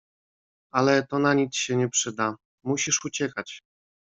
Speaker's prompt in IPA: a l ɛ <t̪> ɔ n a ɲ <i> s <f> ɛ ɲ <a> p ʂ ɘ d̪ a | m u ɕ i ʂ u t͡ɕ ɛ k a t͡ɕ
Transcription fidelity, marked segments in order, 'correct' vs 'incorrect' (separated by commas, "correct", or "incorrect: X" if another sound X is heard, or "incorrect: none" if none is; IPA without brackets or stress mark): correct, correct, incorrect: ɕ, incorrect: ɛ